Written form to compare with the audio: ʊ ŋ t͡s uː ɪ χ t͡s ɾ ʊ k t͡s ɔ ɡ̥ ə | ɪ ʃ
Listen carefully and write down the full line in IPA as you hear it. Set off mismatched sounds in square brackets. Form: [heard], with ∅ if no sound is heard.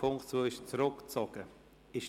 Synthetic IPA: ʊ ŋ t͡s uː ɪ [ʃ] t͡s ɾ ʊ k t͡s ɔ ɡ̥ ə | ɪ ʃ